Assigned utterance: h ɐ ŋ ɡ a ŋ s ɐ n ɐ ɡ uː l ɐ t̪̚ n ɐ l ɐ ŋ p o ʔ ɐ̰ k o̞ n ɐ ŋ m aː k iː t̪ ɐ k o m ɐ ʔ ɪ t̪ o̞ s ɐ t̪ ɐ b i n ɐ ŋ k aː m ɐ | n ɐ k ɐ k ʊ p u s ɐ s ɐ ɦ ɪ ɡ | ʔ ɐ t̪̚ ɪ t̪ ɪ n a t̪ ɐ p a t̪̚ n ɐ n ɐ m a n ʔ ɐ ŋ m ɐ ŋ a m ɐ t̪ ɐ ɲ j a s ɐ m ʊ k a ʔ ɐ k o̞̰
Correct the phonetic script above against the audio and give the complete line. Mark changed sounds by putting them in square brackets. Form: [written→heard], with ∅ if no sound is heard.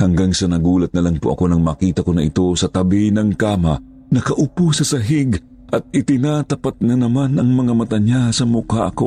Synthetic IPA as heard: h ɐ ŋ ɡ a ŋ s ɐ n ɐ ɡ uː l ɐ t̪̚ n ɐ l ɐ ŋ p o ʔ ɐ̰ k o̞ n ɐ ŋ m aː k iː t̪ ɐ k o [m→n] ɐ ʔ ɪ t̪ o̞ s ɐ t̪ ɐ b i n ɐ ŋ k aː m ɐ | n ɐ k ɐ [k→ʔ] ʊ p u s ɐ s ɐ ɦ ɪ ɡ | ʔ ɐ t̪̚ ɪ t̪ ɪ n a t̪ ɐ p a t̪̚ n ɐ n ɐ m a n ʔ ɐ ŋ m ɐ ŋ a m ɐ t̪ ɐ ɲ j a s ɐ m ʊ k a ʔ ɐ k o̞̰